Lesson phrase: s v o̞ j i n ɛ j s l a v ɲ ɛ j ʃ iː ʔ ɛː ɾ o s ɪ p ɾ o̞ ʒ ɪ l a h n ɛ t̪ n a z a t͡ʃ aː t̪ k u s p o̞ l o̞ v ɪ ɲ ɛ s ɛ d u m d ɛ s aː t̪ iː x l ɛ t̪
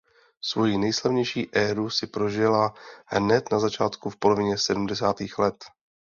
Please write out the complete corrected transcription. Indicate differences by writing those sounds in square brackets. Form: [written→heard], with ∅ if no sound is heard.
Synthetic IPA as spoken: s v o̞ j i n ɛ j s l a v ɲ ɛ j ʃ iː ʔ ɛː ɾ [o→u] s ɪ p ɾ o̞ ʒ ɪ l a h n ɛ t̪ n a z a t͡ʃ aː t̪ k u [s→f] p o̞ l o̞ v ɪ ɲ ɛ s ɛ d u m d ɛ s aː t̪ iː x l ɛ t̪